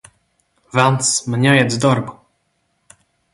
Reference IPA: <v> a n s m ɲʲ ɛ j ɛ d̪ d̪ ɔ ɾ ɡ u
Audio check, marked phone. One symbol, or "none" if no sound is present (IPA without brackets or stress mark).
v